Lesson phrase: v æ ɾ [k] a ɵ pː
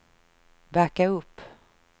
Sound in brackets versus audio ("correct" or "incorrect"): correct